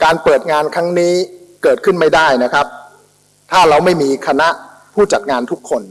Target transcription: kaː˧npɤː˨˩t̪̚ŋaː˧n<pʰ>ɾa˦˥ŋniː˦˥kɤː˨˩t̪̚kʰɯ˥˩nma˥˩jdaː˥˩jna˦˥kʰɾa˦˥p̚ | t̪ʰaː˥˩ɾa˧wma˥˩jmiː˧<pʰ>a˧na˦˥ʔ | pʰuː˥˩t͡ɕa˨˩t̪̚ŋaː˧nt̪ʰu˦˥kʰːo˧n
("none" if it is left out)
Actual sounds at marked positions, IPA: kʰ, kʰ

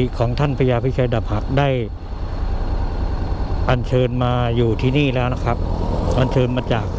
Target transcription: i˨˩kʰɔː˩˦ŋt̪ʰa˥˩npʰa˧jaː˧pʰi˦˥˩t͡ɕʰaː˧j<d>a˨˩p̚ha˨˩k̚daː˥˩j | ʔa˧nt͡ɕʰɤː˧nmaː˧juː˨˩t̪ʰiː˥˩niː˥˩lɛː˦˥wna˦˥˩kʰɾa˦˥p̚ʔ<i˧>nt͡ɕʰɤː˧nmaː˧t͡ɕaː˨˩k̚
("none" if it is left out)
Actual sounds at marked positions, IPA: d, a˧

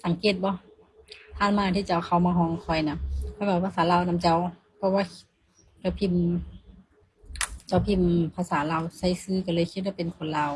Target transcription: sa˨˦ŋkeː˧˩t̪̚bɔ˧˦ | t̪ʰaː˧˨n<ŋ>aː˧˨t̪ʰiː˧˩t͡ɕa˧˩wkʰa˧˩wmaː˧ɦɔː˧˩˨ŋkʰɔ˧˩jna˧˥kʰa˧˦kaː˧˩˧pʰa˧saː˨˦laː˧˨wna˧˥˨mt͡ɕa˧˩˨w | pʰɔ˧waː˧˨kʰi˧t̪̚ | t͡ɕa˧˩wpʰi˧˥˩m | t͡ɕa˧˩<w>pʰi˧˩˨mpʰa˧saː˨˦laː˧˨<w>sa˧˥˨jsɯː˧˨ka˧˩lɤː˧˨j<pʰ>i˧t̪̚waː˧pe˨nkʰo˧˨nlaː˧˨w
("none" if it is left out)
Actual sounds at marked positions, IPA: m, w, w, kʰ

